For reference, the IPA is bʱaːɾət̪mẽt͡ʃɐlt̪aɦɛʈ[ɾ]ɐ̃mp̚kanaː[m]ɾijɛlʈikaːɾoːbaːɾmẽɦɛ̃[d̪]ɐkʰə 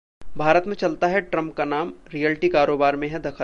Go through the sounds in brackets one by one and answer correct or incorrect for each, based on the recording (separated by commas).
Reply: correct, correct, correct